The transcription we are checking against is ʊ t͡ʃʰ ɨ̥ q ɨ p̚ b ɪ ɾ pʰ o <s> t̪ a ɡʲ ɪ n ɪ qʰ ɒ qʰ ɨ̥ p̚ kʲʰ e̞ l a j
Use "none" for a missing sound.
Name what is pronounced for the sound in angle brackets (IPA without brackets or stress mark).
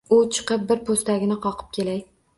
s